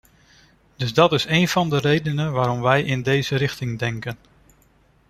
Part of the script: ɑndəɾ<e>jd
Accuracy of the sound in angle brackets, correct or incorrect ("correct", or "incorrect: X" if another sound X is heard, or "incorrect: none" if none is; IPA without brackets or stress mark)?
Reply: correct